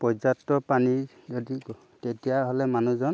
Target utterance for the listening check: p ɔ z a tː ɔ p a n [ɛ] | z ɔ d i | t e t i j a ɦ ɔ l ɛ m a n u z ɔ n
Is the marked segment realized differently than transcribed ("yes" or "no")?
yes